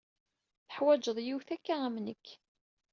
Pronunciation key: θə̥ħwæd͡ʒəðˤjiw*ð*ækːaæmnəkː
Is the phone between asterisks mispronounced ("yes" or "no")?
yes